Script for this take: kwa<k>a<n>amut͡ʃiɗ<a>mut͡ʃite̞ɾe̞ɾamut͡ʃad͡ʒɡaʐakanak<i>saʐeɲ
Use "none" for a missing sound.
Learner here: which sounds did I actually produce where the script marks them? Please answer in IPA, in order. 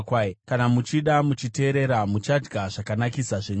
k, n, a, i

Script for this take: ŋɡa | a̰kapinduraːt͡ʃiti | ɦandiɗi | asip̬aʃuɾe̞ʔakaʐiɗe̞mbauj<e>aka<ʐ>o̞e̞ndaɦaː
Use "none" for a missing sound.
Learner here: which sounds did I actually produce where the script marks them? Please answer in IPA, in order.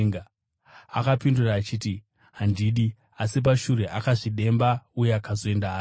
e, z

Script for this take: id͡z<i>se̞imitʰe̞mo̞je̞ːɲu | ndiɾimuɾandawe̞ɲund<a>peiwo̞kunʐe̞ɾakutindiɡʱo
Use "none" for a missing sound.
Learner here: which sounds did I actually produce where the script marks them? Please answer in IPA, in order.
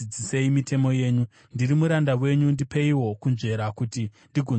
i, i

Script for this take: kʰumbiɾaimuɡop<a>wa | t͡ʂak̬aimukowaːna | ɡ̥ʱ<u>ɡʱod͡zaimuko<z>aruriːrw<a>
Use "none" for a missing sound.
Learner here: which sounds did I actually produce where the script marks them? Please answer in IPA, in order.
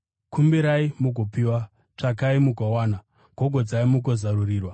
i, o, z, a

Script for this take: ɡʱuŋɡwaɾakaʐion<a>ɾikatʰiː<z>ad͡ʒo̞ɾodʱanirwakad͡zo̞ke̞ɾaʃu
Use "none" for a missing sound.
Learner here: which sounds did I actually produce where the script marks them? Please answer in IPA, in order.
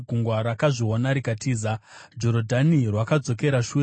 a, z

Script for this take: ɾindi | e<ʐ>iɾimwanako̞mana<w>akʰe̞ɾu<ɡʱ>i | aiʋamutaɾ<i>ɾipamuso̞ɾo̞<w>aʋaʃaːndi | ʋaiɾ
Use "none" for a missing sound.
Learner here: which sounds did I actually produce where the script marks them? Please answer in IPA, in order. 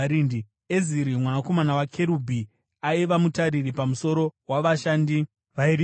z, w, bʱ, i, w

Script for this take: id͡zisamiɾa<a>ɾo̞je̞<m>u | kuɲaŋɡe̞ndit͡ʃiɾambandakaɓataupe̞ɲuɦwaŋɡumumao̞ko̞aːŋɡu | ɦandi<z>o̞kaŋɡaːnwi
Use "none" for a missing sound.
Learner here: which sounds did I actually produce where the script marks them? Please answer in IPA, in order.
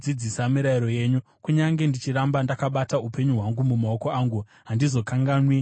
i, ɲ, z

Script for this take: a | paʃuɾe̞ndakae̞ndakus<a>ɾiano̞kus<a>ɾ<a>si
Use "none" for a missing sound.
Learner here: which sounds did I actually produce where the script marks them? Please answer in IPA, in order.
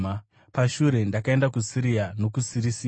i, i, i

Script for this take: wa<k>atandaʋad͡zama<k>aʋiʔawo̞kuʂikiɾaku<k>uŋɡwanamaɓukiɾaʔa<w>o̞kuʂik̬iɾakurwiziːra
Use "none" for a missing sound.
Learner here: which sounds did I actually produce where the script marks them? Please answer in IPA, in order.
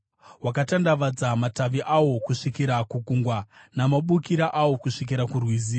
k, t, k, w

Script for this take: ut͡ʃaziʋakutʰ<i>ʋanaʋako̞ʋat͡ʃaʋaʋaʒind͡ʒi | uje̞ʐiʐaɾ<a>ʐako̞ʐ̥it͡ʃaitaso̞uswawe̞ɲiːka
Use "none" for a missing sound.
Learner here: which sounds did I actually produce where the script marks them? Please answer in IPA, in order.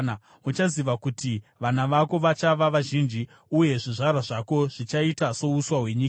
i, a

